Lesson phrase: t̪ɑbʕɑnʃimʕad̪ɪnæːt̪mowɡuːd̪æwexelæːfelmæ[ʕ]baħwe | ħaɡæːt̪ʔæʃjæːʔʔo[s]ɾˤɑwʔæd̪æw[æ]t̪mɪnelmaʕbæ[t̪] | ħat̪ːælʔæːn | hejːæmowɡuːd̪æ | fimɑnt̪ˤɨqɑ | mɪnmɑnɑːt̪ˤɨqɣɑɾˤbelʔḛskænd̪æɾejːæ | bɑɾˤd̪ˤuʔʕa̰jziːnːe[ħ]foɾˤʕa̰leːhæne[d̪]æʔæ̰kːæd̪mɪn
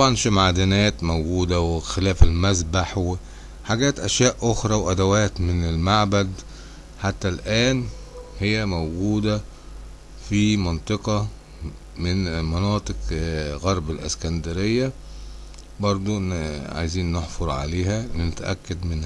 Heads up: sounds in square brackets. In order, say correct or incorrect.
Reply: incorrect, incorrect, incorrect, incorrect, correct, incorrect

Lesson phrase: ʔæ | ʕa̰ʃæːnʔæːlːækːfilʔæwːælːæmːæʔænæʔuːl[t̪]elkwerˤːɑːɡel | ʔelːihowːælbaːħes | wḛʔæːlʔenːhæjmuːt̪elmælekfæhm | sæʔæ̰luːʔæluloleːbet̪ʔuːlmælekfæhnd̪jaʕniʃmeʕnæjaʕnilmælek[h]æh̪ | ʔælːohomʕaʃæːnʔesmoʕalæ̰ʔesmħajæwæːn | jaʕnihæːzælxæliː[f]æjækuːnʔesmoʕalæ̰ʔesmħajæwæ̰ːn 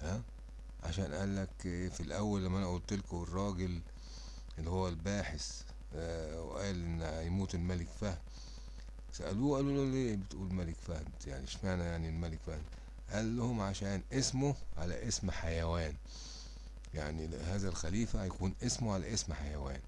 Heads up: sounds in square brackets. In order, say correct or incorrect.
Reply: correct, incorrect, correct

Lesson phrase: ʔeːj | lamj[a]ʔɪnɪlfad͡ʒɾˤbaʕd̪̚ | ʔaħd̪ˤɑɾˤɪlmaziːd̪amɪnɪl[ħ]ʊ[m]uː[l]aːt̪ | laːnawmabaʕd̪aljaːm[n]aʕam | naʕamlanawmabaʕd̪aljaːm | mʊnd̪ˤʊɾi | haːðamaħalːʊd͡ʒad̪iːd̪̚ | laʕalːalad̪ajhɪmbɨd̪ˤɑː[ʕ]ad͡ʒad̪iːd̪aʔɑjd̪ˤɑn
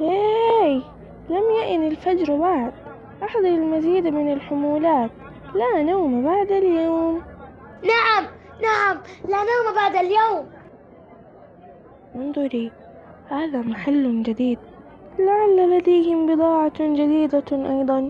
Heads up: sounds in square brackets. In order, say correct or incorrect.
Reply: correct, correct, correct, correct, correct, correct

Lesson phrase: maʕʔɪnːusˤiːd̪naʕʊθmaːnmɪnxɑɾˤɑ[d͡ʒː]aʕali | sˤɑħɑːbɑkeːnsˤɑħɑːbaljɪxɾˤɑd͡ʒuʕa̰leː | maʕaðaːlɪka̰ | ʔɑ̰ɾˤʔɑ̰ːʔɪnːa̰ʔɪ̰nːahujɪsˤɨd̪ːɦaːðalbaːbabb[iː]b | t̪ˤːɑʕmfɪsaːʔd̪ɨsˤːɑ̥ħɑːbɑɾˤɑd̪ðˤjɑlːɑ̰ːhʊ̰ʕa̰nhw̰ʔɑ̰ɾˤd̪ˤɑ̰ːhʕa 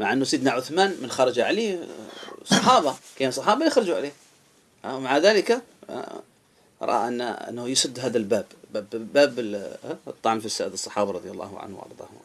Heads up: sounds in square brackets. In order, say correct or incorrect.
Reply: incorrect, incorrect

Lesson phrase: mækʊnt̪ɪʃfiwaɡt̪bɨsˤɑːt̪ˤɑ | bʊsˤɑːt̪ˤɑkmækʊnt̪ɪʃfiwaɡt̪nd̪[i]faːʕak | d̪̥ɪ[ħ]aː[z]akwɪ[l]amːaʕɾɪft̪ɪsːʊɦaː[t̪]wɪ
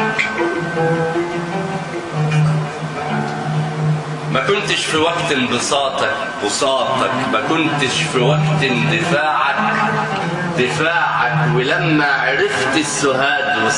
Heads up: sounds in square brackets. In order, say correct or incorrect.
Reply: incorrect, incorrect, incorrect, correct, incorrect

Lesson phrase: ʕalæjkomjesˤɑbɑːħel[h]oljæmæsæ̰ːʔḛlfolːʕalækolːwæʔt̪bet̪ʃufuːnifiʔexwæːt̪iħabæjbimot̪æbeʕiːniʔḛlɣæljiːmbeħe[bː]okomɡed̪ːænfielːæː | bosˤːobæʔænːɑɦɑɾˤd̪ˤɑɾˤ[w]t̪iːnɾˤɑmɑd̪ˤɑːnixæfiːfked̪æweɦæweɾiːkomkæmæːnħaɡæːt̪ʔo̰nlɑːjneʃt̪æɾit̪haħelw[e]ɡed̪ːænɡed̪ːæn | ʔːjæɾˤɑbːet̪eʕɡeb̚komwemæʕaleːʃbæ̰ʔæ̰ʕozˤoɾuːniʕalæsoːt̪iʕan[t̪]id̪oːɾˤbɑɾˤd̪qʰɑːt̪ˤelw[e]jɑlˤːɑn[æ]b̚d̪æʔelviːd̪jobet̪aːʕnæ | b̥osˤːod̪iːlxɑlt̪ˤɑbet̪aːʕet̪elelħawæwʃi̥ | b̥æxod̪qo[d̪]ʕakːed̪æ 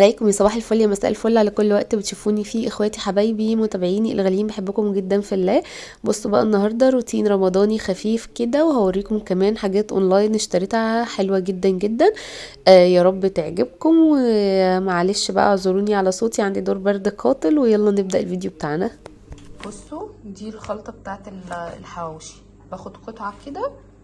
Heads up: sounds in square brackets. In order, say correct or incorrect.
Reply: incorrect, correct, incorrect, incorrect, incorrect, correct, incorrect, incorrect

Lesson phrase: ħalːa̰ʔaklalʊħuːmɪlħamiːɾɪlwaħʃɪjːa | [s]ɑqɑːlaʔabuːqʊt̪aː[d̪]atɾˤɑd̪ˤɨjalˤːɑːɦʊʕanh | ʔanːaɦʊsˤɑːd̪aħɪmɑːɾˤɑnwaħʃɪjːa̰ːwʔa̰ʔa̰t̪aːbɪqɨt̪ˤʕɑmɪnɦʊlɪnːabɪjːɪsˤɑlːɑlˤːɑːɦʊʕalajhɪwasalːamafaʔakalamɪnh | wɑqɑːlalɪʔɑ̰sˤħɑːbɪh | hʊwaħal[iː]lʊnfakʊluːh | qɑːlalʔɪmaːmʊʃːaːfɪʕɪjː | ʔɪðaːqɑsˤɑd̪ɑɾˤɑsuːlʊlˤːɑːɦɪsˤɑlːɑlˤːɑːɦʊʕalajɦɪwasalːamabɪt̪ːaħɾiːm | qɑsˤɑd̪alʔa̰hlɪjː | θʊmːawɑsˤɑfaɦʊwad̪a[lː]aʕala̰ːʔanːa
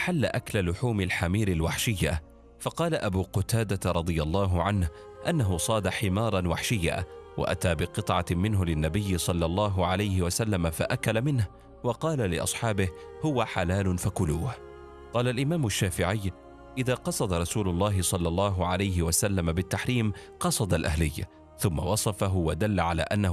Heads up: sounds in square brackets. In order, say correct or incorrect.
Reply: incorrect, correct, incorrect, correct

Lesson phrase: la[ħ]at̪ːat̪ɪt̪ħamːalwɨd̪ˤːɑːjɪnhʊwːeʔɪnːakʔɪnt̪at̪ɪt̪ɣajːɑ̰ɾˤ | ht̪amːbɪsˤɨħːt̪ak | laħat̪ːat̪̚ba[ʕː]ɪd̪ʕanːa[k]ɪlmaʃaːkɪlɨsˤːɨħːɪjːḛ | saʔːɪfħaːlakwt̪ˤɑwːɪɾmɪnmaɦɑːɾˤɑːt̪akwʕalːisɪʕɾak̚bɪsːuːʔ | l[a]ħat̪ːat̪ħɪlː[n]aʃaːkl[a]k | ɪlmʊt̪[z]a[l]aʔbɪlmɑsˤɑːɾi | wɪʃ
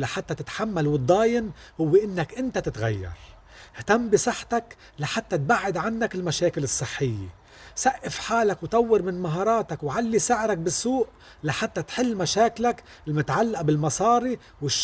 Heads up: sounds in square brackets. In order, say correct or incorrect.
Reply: correct, correct, correct, correct, incorrect, correct, incorrect, incorrect

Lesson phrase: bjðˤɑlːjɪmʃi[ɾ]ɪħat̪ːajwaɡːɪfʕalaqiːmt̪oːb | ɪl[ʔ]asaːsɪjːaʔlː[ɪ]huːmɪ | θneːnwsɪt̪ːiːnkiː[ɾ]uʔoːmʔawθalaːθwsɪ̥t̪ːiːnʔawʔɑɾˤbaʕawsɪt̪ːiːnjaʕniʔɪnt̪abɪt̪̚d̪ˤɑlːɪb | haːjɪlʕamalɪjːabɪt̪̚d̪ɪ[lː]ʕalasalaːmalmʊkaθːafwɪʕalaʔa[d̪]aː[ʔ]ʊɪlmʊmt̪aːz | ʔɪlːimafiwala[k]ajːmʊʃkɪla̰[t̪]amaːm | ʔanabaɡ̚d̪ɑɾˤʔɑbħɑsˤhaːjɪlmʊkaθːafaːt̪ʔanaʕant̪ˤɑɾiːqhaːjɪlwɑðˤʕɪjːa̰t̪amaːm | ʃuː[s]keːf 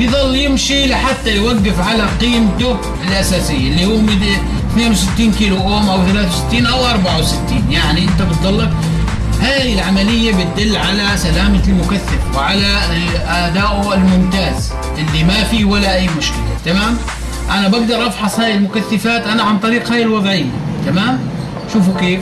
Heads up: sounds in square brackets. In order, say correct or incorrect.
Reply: incorrect, correct, incorrect, incorrect, correct, correct, correct, incorrect, correct, incorrect

